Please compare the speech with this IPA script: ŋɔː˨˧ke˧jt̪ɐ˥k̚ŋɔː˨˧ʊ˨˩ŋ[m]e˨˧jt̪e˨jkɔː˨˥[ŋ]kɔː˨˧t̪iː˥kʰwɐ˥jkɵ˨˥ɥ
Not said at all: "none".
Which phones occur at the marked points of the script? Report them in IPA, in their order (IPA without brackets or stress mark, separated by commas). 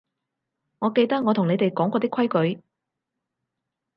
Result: n, ŋ